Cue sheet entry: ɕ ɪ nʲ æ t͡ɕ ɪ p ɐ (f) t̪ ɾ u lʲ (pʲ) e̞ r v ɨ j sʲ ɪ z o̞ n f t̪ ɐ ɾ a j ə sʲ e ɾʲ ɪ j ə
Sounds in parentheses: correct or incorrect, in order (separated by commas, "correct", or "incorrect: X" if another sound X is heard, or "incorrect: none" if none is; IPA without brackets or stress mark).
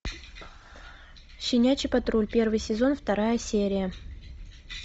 incorrect: none, correct